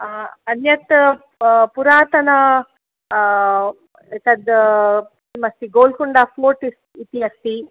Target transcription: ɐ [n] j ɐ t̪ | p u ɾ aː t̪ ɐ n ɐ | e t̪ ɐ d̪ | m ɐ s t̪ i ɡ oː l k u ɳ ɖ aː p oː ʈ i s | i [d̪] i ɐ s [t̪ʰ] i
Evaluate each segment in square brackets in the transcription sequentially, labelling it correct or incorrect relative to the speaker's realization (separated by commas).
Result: correct, incorrect, incorrect